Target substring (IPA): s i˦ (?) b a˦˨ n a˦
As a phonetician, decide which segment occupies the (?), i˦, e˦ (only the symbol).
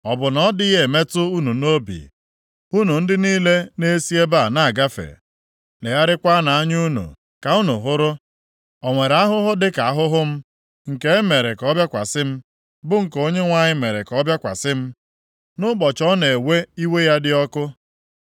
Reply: e˦